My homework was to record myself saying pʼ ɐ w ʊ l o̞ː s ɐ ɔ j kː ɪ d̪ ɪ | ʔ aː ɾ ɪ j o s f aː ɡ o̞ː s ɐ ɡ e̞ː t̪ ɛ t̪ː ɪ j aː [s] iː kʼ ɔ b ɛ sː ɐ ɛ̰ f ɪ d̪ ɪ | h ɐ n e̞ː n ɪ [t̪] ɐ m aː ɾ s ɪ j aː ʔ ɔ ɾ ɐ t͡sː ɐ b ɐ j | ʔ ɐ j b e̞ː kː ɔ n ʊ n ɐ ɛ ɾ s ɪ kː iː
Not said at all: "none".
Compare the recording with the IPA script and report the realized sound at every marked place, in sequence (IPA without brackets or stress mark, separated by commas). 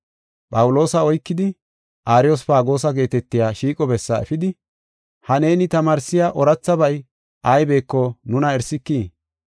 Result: ʃ, t̪